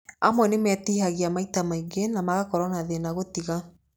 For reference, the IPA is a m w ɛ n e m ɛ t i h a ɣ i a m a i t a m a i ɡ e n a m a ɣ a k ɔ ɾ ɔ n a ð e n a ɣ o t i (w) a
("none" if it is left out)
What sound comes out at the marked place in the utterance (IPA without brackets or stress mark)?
ɣ